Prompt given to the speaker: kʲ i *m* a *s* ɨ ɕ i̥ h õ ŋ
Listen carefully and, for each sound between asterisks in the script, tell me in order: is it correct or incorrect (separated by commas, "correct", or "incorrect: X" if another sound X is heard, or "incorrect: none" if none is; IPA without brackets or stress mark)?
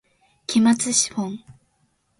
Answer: correct, incorrect: t͡s